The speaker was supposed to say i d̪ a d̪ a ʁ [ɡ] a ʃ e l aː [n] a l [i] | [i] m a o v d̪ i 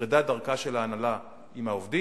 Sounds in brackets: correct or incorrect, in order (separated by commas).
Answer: incorrect, correct, incorrect, correct